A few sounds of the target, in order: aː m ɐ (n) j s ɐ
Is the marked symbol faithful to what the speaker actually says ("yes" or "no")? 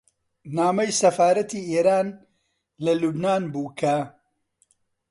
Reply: no